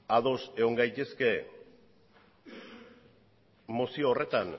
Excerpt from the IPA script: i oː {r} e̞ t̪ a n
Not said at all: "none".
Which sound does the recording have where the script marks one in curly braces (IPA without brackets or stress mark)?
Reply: r